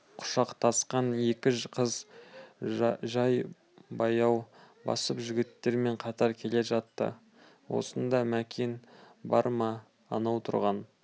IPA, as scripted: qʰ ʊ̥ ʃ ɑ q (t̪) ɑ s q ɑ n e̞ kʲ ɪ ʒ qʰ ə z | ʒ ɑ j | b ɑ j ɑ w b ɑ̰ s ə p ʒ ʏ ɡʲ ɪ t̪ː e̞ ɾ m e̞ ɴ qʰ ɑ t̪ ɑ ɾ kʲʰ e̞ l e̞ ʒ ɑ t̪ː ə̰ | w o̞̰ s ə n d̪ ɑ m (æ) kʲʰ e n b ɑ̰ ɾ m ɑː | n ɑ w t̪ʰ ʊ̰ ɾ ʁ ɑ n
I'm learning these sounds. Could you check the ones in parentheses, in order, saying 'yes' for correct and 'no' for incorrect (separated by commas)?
no, yes